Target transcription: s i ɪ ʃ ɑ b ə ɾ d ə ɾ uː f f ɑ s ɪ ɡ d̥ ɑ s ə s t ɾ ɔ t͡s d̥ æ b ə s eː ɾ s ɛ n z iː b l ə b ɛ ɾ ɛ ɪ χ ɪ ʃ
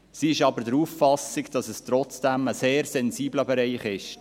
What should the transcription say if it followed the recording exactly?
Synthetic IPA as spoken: s i ɪ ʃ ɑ b ə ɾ d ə ɾ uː f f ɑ s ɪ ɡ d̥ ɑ s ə s t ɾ ɔ t͡s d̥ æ m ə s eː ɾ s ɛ n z iː b l ə b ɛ ɾ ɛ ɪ χ ɪ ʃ